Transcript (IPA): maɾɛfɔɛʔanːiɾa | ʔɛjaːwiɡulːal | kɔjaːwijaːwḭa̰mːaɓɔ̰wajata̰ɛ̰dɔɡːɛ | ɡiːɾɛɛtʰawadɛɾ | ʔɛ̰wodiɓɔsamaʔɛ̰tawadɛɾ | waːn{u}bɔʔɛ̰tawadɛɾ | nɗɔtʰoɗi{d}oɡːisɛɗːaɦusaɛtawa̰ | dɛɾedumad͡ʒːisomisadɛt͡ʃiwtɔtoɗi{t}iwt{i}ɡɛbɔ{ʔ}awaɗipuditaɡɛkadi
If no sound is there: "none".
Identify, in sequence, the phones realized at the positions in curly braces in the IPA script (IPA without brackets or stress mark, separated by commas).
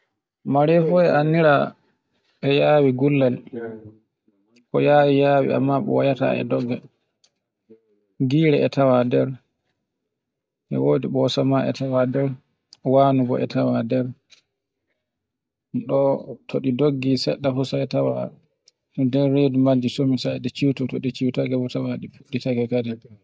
u, d, t͡ʃ, a, t